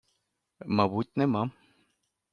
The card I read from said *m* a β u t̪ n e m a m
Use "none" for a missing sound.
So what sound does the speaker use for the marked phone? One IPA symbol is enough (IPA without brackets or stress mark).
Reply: m